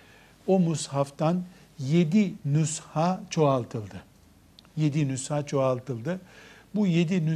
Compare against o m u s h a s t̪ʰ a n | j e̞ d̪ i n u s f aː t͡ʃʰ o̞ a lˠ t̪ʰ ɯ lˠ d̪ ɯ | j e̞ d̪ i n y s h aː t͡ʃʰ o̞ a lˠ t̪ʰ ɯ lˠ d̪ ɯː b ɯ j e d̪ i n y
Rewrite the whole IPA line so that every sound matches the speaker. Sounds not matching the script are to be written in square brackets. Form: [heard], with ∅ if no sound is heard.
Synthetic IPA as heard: o m u s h a [f] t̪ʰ a n | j e̞ d̪ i n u s [h] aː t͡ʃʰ o̞ a lˠ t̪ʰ ɯ lˠ d̪ ɯ | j e̞ d̪ i n y s h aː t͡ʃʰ o̞ a lˠ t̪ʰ ɯ lˠ d̪ [ɯ] b [u] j e d̪ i n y